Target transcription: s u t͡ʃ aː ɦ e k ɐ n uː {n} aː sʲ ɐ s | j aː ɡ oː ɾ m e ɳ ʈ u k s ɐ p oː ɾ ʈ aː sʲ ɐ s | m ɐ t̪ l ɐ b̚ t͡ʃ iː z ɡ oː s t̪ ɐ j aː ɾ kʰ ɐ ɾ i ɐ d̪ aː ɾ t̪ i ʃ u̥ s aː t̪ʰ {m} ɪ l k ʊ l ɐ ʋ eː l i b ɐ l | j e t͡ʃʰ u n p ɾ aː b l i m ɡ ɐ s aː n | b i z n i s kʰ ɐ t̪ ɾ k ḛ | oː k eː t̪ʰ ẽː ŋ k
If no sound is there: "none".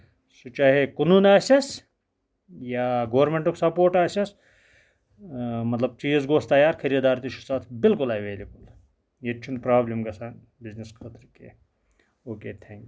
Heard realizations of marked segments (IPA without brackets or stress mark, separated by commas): n, b